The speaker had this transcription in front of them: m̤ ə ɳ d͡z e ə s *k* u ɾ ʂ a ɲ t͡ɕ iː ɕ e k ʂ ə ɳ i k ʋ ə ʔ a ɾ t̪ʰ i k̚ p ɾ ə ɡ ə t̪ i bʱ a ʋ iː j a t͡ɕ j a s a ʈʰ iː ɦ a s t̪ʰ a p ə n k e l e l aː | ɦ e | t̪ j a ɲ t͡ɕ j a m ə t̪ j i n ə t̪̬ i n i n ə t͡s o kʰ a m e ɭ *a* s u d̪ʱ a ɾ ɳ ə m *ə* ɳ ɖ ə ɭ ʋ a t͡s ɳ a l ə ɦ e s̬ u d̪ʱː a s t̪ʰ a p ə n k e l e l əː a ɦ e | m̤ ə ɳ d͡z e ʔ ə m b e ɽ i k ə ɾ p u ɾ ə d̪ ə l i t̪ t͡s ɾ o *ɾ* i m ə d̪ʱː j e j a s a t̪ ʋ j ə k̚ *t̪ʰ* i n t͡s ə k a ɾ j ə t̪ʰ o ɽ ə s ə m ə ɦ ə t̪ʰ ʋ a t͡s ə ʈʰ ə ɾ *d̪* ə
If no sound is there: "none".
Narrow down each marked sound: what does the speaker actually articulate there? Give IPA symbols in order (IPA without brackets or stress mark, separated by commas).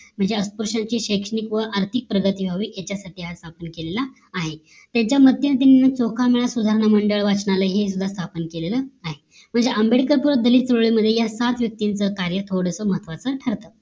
p, a, ə, ɭ, t̪, t̪